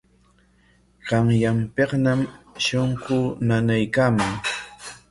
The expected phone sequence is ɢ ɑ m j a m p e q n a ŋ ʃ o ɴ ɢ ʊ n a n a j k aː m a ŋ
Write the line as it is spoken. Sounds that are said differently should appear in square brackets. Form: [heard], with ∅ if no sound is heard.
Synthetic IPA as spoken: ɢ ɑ [ŋ] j a m p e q n a [m] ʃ o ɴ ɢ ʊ n a n a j k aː m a ŋ